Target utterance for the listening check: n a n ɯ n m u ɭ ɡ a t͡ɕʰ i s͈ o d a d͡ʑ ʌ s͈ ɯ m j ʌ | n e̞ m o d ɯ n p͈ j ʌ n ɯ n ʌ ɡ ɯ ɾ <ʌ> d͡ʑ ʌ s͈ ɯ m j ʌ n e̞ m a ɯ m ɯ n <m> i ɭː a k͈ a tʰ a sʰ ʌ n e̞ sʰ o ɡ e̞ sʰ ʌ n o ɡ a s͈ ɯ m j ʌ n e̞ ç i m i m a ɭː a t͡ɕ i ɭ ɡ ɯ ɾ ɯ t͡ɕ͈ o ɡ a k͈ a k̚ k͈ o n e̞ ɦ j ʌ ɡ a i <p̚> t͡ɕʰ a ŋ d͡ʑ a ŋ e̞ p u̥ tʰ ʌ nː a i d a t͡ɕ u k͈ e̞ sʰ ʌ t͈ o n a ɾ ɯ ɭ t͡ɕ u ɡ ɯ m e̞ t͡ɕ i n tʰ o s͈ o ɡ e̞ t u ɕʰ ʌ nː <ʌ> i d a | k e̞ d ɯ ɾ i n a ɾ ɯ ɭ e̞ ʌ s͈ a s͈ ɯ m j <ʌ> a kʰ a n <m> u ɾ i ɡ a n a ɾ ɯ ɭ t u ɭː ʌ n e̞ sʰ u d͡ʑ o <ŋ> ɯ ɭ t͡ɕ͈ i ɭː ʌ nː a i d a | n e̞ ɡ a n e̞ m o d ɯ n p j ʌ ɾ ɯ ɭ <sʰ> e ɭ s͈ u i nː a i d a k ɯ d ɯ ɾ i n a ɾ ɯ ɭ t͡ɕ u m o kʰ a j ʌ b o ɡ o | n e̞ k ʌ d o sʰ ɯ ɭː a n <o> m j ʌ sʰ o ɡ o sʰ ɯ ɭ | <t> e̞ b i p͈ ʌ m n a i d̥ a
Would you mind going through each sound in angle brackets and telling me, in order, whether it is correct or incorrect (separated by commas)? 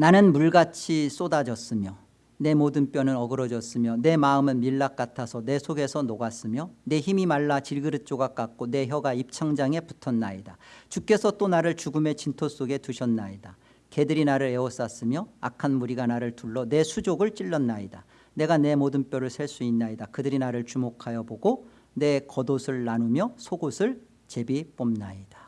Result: correct, correct, correct, incorrect, correct, correct, incorrect, correct, incorrect, incorrect